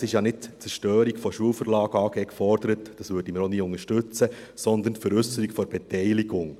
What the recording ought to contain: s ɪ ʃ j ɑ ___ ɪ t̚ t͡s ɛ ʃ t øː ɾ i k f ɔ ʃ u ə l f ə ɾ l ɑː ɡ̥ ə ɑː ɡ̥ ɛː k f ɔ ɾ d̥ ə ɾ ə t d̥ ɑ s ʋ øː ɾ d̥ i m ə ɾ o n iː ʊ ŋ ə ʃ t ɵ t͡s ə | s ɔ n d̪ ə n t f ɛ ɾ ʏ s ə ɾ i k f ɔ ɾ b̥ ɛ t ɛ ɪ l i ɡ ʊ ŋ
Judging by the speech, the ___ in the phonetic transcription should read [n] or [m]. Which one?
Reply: n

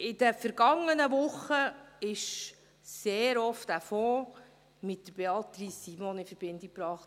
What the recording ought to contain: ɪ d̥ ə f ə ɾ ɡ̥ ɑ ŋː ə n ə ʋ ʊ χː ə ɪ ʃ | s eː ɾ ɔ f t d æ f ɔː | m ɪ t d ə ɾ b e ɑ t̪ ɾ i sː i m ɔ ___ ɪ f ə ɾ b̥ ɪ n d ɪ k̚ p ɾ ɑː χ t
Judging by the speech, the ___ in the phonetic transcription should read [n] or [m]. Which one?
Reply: n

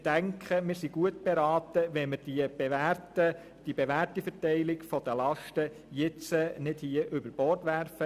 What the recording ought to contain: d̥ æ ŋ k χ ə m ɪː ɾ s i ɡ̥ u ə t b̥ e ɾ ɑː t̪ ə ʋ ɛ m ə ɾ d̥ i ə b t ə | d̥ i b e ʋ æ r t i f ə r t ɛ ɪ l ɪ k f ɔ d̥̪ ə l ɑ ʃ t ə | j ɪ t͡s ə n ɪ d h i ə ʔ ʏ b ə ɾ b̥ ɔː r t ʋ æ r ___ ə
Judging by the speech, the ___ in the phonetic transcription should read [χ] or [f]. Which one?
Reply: f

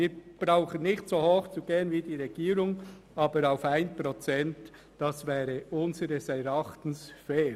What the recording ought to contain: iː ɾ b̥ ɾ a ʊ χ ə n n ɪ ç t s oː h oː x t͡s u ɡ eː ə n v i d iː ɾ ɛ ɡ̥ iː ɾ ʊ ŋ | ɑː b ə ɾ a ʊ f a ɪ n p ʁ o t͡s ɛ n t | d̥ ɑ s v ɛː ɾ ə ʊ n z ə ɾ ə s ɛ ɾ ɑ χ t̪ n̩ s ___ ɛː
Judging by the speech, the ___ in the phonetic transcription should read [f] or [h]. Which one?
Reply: f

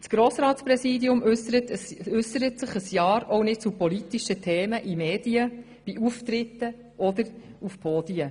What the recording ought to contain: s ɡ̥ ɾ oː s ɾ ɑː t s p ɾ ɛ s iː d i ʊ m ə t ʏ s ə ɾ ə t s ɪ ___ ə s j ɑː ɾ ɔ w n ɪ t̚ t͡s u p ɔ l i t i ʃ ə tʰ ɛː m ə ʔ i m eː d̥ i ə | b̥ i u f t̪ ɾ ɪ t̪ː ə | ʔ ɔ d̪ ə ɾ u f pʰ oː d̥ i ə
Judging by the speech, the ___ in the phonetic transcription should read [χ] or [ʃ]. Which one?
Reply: χ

